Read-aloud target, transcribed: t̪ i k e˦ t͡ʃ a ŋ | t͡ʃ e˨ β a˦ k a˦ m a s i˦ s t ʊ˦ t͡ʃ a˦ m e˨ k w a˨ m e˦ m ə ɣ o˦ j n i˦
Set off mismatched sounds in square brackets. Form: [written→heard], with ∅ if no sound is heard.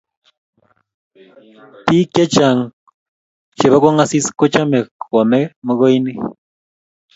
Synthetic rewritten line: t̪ i k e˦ t͡ʃ a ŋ | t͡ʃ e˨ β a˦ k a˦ [m→ŋ] a s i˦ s [t→k] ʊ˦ t͡ʃ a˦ m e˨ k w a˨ m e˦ m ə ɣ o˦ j n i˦